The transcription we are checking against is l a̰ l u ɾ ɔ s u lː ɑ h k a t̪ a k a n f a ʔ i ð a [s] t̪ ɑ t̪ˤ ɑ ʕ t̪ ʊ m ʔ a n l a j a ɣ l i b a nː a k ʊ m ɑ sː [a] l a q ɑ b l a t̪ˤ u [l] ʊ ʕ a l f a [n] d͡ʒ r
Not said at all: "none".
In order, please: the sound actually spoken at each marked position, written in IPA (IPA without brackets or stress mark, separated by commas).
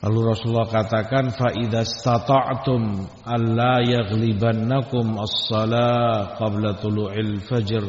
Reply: s, ɑ, l, none